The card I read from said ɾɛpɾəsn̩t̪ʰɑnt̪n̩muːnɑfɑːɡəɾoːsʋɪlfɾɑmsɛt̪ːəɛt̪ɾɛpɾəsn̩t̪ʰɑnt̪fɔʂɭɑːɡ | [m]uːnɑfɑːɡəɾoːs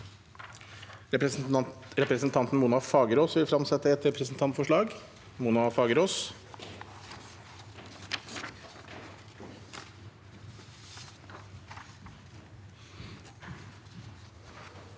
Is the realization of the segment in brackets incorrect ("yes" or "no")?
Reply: no